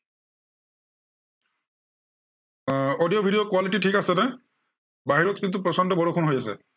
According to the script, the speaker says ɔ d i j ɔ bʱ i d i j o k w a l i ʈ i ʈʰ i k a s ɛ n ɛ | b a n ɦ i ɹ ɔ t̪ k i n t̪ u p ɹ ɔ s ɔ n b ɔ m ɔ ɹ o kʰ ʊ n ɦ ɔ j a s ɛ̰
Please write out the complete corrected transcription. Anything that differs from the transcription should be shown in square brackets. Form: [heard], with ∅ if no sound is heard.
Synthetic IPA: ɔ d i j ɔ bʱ i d i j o k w a l i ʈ i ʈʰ i k a s ɛ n ɛ | b a [∅] ɦ i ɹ ɔ t̪ k i n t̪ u p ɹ ɔ s ɔ n [d] ɔ [b] ɔ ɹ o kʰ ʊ n ɦ [o] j a s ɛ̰